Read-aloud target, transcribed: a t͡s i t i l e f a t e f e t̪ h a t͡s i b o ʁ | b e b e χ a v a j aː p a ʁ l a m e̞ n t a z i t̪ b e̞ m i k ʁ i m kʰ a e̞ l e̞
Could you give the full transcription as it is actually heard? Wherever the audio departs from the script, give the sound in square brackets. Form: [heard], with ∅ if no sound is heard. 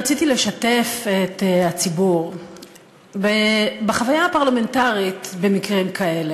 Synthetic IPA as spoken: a t͡s i t i l e [ʃ] a t e f e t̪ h a t͡s i b [u] ʁ | b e b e χ a v a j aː p a ʁ l a m e̞ n t a [ʁ] i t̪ b e̞ m i k ʁ i m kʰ a e̞ l e̞